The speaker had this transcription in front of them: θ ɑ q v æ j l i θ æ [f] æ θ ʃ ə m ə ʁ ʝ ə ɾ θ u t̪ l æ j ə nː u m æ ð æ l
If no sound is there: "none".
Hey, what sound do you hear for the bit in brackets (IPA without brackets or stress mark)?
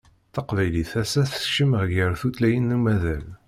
s